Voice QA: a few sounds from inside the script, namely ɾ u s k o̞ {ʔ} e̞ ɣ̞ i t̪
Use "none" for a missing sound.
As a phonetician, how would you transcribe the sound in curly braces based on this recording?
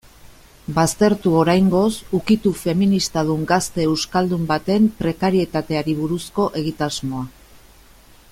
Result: ʔ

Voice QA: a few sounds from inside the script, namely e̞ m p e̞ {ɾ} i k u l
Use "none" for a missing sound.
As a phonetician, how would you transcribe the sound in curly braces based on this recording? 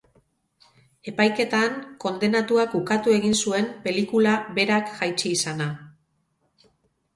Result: l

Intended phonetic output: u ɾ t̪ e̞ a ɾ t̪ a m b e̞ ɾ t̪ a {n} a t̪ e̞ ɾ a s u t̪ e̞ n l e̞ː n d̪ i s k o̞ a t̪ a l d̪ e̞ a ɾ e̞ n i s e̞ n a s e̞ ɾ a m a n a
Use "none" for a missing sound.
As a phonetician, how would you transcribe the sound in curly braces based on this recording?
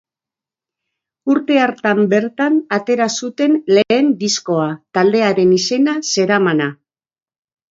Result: n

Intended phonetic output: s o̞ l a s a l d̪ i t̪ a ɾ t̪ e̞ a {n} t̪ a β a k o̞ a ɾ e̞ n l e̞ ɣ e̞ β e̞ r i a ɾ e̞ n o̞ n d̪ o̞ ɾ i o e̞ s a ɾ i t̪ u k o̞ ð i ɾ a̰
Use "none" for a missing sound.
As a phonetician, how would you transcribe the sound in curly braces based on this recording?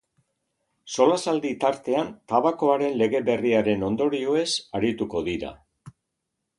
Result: n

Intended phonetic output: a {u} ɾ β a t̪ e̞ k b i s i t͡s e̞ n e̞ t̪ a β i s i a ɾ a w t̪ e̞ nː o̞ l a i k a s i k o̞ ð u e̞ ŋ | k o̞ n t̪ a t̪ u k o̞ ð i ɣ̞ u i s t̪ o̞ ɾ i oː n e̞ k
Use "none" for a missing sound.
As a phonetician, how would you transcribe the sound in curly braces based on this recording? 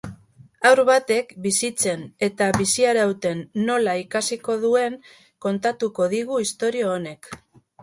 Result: w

